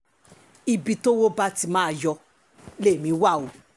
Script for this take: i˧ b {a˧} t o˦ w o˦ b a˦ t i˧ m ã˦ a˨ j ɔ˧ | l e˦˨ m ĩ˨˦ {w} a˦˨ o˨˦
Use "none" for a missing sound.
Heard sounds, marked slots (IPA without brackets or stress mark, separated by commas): i˧, w